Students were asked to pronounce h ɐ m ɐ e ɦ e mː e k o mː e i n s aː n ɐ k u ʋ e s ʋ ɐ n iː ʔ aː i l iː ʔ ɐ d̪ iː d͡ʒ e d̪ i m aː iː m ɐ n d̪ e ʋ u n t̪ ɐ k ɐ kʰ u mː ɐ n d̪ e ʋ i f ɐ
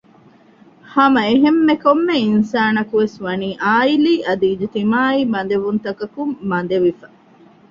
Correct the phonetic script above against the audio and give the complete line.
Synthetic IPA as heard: h ɐ m ɐ e ɦ e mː e k o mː e i n s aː n ɐ k u ʋ e s ʋ ɐ n iː ʔ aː i l iː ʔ ɐ d̪ iː d͡ʒ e t̪ i m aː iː m ɐ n d̪ e ʋ u n t̪ ɐ k ɐ k u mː ɐ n d̪ e ʋ i f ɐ